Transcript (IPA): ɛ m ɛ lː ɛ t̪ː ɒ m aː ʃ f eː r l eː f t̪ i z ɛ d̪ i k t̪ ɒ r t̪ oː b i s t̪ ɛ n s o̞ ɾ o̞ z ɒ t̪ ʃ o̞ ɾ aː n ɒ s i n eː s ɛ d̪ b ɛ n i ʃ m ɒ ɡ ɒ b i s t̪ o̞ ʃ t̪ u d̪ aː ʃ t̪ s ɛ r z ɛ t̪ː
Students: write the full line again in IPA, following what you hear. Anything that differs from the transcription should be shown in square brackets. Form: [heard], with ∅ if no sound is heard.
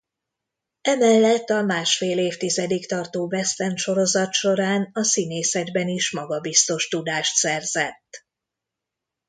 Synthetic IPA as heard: ɛ m ɛ lː ɛ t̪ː ɒ m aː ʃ f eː [∅] l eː f t̪ i z ɛ d̪ i k t̪ ɒ r t̪ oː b [ɛ] s t̪ ɛ n [ʃ] o̞ ɾ o̞ z ɒ t̪ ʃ o̞ ɾ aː n ɒ s i n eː s ɛ d̪ b ɛ n i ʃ m ɒ ɡ ɒ b i s t̪ o̞ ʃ t̪ u d̪ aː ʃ t̪ s ɛ r z ɛ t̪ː